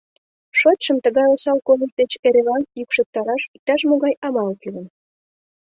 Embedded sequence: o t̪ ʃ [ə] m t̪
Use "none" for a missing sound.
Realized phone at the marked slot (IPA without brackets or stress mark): ə